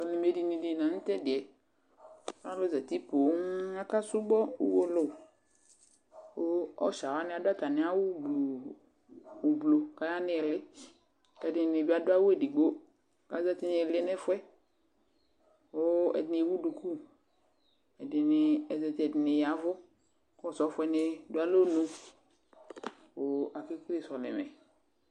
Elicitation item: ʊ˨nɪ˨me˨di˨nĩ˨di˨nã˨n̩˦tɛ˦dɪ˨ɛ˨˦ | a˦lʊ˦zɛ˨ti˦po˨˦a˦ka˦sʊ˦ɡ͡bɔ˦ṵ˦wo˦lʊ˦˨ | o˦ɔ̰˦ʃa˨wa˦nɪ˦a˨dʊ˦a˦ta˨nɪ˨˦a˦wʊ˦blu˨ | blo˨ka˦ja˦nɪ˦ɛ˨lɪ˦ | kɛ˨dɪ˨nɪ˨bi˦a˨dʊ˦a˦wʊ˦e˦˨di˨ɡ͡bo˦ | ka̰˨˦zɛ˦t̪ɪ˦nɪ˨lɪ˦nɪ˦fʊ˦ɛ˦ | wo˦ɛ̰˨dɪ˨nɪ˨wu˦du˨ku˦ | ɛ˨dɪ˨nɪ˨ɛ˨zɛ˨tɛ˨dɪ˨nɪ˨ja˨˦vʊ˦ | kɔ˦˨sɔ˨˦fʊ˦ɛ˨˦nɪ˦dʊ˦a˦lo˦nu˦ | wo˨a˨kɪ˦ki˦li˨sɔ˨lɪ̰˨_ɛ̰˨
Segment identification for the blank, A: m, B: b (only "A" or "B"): A